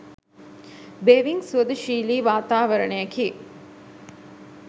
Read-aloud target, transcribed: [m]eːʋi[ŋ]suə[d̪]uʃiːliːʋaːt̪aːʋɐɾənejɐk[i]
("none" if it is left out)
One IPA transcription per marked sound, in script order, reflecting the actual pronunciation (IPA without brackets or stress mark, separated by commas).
b, ŋ, d̪, iː